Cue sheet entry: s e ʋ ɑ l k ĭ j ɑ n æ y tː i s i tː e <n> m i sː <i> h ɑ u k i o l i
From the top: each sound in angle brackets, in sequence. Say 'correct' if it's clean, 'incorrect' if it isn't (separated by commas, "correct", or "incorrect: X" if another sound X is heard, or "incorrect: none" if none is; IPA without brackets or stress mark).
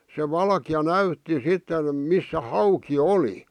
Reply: correct, incorrect: æ